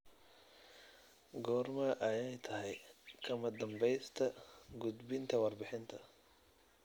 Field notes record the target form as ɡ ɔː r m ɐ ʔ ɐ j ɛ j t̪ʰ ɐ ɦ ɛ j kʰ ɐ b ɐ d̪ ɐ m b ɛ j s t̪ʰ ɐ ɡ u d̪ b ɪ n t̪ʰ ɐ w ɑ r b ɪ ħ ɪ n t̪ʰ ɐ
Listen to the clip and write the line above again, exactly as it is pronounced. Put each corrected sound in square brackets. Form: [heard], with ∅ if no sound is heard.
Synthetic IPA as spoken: ɡ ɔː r m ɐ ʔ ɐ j ɛ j t̪ʰ ɐ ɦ ɛ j kʰ ɐ [m] ɐ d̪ ɐ m b ɛ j s t̪ʰ ɐ ɡ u d̪ b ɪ n t̪ʰ ɐ w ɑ r b ɪ ħ ɪ n t̪ʰ ɐ